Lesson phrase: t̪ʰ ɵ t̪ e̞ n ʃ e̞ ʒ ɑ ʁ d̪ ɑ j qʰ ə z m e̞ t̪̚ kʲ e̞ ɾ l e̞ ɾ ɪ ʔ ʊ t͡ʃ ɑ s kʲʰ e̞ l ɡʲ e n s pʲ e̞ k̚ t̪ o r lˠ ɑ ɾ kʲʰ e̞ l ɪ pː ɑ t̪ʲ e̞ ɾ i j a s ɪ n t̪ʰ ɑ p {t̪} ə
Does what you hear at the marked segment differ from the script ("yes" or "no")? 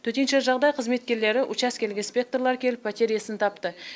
no